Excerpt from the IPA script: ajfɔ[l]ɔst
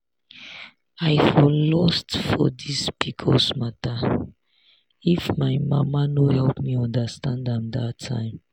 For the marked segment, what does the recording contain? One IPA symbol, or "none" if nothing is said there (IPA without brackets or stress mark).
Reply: l